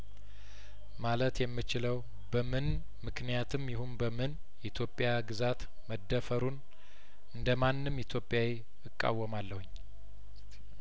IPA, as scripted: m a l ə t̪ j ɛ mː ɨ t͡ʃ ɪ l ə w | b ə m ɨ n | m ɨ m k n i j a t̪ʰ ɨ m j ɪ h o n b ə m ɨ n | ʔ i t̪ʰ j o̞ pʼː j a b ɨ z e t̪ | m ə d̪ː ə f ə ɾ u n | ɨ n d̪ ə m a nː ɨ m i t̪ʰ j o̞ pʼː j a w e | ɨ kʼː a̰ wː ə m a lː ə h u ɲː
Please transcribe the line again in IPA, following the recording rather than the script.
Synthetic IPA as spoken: m a l ə t̪ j ɛ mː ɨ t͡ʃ ɪ l ə w | b ə m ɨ n | m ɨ k n i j a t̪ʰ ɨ m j ɪ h u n b ə m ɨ n | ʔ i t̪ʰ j o̞ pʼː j a ɡ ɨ z a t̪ | m ə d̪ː ə f ə ɾ u n | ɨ n d̪ ə m a nː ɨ m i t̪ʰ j o̞ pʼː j a w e | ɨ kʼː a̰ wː ə m a lː ə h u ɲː